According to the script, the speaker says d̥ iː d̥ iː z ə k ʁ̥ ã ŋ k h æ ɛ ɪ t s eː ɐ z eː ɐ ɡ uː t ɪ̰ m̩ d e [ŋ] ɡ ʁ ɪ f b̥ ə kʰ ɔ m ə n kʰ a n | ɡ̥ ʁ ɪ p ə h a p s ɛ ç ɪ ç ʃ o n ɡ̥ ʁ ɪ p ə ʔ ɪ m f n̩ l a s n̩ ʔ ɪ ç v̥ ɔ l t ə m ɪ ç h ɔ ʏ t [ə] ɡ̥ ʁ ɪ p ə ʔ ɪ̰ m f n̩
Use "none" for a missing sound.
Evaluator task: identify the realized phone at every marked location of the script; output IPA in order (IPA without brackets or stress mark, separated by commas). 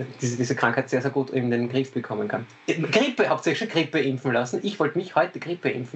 n, ə